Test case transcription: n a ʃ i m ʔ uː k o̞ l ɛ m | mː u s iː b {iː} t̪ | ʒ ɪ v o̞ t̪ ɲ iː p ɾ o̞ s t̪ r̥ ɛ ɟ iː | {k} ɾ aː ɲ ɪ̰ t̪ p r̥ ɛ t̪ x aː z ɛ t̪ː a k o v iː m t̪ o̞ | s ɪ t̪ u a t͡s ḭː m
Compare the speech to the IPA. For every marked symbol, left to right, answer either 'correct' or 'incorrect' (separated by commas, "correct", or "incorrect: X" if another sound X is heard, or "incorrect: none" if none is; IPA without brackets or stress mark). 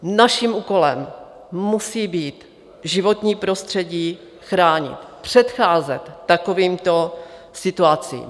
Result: correct, incorrect: x